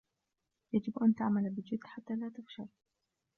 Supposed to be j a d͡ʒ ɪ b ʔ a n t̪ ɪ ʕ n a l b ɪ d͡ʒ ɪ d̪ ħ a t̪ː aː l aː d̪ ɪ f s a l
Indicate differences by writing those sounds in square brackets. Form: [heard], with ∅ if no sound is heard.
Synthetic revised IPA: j a d͡ʒ ɪ b ʔ a n t̪ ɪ ʕ [m] a l b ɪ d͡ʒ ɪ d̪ ħ a t̪ː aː l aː [t̪] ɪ f [ʃ] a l